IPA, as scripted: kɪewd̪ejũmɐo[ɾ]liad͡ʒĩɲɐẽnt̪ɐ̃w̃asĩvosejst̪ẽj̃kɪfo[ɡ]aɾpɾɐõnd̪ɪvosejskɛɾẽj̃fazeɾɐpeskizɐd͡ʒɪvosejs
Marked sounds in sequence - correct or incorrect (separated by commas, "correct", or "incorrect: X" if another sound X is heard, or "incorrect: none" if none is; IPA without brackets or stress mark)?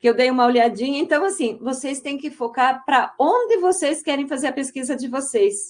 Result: incorrect: none, incorrect: k